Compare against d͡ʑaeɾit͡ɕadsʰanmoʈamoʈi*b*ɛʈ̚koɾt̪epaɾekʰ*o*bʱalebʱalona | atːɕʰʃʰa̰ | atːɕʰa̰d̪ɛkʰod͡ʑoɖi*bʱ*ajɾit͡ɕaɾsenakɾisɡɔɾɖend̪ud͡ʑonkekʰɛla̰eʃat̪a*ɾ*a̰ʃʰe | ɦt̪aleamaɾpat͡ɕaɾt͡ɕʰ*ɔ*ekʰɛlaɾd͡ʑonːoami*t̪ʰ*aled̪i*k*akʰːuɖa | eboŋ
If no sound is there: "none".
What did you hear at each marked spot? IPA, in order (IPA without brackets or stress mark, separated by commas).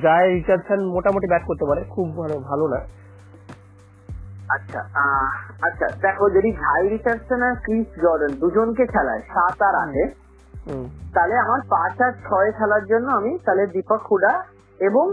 b, u, ɡʱ, ɾ, ɔ, t̪, p